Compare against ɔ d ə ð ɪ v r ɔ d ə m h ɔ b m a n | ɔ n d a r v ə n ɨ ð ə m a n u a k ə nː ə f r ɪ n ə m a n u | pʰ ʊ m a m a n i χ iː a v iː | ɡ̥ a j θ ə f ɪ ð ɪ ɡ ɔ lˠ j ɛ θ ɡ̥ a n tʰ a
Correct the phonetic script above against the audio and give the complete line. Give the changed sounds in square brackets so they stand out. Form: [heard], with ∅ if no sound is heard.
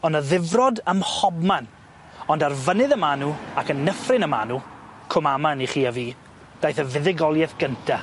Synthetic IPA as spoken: ɔ [n] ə ð ɪ v r ɔ d ə m h ɔ b m a n | ɔ n d a r v ə n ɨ ð ə m a n u a k ə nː ə f r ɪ n ə m a n u | [kʰ] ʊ m a m a n i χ iː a v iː | [d̥] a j θ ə [v] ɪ ð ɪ ɡ ɔ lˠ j ɛ θ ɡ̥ [ə] n tʰ a

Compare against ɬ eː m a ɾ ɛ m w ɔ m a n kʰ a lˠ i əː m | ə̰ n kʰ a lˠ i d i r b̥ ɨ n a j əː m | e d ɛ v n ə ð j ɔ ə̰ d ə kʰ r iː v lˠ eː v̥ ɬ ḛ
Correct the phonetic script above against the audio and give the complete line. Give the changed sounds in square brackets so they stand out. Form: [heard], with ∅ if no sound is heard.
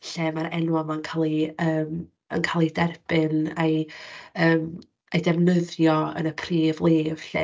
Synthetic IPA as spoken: ɬ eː m a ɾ ɛ [n] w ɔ m a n kʰ a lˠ i əː m | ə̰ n kʰ a lˠ i d [ɛ] r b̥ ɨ n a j əː m | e d ɛ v n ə ð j ɔ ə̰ [n] ə [pʰ] r iː v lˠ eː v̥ ɬ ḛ

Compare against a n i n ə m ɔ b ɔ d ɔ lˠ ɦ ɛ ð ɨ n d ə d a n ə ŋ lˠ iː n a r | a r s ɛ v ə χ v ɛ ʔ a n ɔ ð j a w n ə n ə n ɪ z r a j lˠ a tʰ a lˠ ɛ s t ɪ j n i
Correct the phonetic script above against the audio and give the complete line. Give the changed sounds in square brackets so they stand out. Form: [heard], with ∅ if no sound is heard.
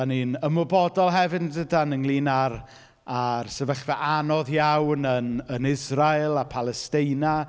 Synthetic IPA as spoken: a n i n ə m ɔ b ɔ d ɔ lˠ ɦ ɛ [v] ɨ n d ə d a n ə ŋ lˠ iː n a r | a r s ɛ v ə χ v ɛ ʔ a n ɔ ð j a w n ə n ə n ɪ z r a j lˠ a [pʰ] a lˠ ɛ s t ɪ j n [a]

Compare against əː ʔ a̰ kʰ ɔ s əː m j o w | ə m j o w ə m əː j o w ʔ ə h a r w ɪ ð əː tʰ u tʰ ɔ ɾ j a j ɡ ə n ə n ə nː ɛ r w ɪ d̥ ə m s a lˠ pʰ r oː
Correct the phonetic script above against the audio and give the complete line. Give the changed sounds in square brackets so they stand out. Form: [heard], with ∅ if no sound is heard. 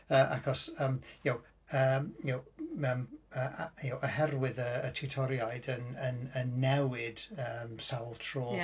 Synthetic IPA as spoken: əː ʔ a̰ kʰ ɔ s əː m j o w | ə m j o w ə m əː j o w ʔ ə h [ɛ] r w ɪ ð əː tʰ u tʰ ɔ ɾ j a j [d] ə n ə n ə nː ɛ [∅] w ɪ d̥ ə m s a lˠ [tʰ] r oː

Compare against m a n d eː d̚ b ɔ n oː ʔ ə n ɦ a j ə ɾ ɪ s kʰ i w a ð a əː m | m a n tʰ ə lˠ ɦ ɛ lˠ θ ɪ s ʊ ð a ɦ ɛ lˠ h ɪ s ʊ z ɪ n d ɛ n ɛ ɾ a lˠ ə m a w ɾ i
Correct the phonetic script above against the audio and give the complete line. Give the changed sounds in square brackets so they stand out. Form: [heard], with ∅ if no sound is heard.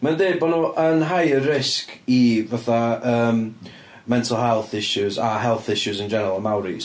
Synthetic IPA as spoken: m a n d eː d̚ b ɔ n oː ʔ ə n ɦ a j ə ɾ ɪ s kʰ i [v] a [θ] a əː m | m [ɛ] n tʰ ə lˠ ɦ ɛ lˠ θ ɪ [ʃ] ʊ [z] a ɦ ɛ lˠ [θ] ɪ [ʃ] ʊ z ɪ n [d͡ʒ] ɛ n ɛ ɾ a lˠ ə m a w ɾ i

